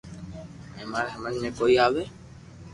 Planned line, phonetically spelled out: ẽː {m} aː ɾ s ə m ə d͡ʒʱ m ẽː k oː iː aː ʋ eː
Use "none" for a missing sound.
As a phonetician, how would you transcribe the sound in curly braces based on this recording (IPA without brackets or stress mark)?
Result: m